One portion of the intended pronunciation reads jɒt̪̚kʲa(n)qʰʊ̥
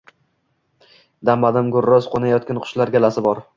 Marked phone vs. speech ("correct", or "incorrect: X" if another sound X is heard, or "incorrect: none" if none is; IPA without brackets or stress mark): correct